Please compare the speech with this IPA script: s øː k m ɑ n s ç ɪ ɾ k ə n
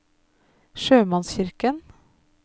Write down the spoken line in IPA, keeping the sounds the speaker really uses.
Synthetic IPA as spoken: ʃ øː m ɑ n s ç ɪ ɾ k ə n